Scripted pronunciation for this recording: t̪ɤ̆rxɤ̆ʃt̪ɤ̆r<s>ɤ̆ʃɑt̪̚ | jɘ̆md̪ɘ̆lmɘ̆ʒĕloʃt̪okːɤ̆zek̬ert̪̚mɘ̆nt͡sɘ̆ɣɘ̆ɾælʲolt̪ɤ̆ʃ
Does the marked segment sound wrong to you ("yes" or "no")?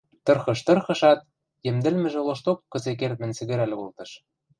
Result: yes